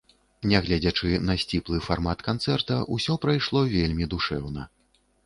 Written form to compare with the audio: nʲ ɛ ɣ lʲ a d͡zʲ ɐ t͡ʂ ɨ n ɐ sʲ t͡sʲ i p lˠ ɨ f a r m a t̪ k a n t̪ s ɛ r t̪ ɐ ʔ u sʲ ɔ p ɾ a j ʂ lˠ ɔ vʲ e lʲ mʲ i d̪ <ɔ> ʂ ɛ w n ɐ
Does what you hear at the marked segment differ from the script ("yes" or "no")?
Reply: yes